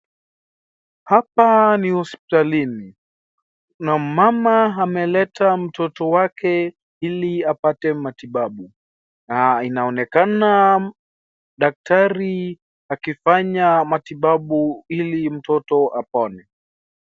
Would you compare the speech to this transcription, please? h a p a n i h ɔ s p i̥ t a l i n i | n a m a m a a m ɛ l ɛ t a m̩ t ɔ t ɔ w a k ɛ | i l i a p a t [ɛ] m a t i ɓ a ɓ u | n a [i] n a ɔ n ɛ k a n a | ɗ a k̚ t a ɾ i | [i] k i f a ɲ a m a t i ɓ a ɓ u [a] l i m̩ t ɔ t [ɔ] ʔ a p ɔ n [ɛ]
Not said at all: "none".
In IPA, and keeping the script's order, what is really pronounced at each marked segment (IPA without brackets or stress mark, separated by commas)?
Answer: ɛ, i, a, i, ɔ, ɛ